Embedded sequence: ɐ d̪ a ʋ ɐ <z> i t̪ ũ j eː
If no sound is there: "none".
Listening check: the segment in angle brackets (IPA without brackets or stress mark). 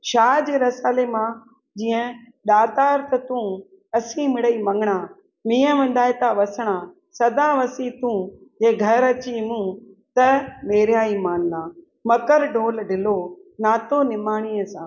s